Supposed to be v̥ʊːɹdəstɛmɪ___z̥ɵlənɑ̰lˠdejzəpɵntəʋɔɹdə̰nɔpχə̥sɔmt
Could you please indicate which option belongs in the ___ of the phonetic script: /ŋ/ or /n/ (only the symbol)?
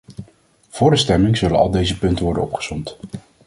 ŋ